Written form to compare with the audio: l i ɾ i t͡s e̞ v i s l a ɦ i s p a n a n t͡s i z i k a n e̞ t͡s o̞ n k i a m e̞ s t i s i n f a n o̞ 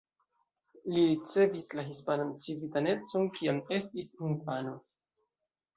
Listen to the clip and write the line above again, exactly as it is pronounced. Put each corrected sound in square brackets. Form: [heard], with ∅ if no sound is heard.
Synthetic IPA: l i ɾ i t͡s e̞ v i s l a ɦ i s p a n a n t͡s i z i [t] a n e̞ t͡s o̞ n k i a m e̞ s t i s i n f a n o̞